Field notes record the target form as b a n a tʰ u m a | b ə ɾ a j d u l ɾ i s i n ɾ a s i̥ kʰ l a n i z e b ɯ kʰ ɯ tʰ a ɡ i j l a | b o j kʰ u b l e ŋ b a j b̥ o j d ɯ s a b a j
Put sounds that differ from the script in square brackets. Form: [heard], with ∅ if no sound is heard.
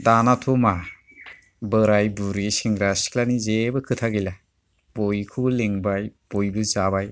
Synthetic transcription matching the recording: [d] a n a tʰ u m a | b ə ɾ a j [b] u [∅] ɾ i s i [ŋ] ɾ a s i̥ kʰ l a n i z e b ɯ kʰ ɯ tʰ a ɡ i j l a | b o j kʰ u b l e ŋ b a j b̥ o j [b] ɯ [z] a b a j